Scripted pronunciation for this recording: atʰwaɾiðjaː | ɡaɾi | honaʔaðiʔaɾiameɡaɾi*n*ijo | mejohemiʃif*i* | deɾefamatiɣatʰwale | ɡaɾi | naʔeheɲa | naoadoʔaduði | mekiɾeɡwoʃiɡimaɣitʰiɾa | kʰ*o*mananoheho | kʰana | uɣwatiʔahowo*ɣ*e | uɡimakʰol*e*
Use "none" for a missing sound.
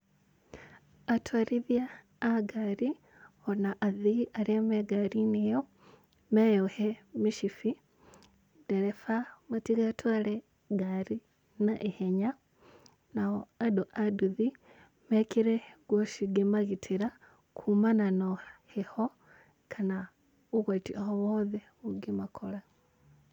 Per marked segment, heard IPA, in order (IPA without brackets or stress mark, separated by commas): n, i, u, ð, a